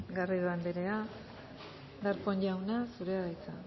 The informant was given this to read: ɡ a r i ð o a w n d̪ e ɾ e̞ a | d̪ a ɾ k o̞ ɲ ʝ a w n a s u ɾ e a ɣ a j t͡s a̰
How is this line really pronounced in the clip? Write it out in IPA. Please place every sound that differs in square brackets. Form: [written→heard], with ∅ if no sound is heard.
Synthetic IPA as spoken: ɡ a r i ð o a [w→∅] n d̪ e ɾ e̞ a | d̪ a ɾ k o̞ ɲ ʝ a w n a s u ɾ e a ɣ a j t͡s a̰